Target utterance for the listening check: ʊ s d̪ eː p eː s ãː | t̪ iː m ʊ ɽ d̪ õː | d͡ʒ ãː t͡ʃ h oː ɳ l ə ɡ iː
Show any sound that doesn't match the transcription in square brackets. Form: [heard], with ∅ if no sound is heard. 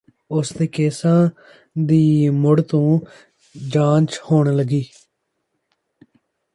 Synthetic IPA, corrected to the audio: ʊ s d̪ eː [k] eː s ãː | [d̪] iː m ʊ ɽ [t̪] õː | d͡ʒ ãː t͡ʃ h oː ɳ l ə ɡ iː